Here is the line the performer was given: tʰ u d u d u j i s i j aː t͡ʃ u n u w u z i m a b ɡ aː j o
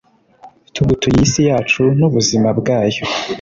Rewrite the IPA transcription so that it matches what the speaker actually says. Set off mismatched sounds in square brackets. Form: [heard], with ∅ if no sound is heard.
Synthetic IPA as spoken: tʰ u [ɡ] u [t] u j i s i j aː t͡ʃ u n u [β] u z i m a b ɡ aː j o